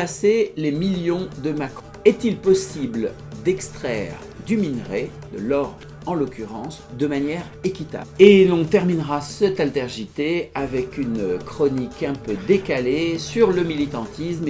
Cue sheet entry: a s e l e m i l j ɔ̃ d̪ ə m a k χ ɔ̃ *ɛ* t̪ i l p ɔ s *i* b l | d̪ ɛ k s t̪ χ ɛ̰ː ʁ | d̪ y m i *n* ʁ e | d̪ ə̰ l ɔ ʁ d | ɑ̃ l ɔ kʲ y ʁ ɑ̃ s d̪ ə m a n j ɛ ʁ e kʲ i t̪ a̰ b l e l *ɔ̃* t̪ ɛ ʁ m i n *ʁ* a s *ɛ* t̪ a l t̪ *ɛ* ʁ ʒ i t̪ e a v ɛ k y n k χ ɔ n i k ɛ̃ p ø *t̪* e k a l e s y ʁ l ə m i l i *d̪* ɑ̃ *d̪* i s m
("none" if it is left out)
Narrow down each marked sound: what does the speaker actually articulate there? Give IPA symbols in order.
ɛ, i, n, ɔ̃, ʁ, ɛ, ɛ, d̪, t̪, t̪

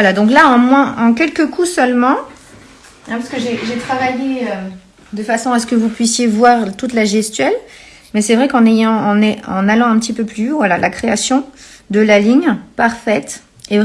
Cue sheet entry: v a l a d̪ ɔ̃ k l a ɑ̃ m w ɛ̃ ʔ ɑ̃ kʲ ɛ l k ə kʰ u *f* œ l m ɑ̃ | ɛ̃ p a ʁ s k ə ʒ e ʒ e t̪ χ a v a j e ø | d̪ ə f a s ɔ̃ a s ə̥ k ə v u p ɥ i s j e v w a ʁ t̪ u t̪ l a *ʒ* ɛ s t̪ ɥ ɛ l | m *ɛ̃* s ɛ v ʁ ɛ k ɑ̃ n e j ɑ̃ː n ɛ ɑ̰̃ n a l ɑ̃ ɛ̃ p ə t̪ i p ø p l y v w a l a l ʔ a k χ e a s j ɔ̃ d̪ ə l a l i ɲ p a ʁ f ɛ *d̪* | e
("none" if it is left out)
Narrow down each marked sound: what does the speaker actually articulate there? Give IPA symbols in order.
s, ʒ, ɛ, t̪

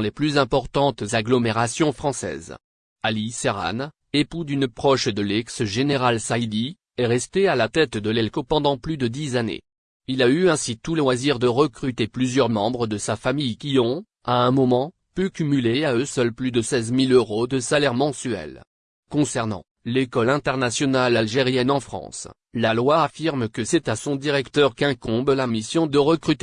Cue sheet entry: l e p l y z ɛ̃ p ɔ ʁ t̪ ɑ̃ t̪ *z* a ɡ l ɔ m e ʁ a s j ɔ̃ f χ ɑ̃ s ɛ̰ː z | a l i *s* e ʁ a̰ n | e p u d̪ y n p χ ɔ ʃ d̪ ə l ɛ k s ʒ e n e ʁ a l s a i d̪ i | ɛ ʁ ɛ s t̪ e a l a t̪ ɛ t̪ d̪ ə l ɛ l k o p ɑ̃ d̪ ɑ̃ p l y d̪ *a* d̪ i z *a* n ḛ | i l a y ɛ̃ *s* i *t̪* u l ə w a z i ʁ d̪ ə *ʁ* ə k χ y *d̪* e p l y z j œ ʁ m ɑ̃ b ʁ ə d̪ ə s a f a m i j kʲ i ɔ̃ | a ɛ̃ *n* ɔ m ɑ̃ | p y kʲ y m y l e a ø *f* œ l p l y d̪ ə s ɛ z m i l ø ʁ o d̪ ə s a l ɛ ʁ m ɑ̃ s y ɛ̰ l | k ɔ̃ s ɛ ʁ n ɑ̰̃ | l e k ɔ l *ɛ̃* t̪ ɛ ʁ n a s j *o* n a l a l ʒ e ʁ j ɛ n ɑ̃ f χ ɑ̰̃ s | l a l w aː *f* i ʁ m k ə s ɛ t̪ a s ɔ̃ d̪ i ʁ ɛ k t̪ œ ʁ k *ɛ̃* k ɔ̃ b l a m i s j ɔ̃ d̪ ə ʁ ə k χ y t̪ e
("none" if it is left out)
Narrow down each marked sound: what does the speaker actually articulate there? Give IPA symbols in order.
z, s, ə, a, s, t̪, ʁ, t̪, m, s, ɛ̃, ɔ, f, ɛ̃

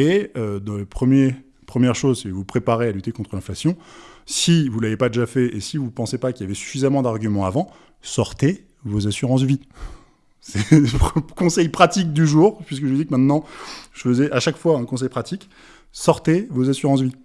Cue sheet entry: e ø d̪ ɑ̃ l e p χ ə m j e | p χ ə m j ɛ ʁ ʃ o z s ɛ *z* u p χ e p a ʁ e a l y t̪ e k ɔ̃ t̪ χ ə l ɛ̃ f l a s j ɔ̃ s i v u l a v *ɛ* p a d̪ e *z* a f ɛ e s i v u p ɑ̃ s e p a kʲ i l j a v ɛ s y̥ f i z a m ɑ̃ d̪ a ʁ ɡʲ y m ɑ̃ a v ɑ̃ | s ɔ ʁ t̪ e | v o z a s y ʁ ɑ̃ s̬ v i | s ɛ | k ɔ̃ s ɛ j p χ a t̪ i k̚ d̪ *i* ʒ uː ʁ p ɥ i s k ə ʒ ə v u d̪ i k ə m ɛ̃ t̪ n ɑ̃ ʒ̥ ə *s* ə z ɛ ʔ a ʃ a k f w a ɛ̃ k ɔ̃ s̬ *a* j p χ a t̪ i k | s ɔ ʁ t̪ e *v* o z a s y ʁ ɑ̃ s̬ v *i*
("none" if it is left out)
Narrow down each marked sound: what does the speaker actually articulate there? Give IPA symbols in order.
v, e, ʒ, y, f, ɛ, v, i

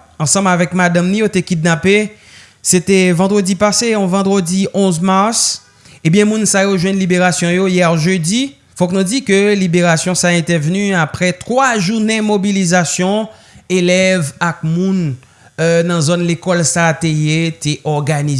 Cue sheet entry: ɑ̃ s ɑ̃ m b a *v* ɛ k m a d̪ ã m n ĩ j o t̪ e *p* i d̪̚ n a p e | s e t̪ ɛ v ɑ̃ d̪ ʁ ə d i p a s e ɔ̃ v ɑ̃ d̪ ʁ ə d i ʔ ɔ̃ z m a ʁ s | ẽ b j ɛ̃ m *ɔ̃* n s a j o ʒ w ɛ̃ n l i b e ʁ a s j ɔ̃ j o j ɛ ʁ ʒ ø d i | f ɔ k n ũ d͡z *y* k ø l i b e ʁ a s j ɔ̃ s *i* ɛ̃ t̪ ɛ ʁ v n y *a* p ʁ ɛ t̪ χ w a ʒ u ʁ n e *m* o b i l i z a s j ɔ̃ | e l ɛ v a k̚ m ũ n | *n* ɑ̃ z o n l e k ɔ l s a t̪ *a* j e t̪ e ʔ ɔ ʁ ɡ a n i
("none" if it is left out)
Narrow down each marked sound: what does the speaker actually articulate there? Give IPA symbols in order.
v, k, ũ, i, a, a, m, n, e

